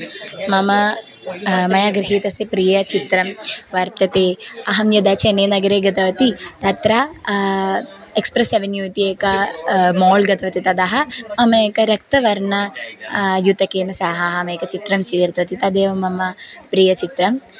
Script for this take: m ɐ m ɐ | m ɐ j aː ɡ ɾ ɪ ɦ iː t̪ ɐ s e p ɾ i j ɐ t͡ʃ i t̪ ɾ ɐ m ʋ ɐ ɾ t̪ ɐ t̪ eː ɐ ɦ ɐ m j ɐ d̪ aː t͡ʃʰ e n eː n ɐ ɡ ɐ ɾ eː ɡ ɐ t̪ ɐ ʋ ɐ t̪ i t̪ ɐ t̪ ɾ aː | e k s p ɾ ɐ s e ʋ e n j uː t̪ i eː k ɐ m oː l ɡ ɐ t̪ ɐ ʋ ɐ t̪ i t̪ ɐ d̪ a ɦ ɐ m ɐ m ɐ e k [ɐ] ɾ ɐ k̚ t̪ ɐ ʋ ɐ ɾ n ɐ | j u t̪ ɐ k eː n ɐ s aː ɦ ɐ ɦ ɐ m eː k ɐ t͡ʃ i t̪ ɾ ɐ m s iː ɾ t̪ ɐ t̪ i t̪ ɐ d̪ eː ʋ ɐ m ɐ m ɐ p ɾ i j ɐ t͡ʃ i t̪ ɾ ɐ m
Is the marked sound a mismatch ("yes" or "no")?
no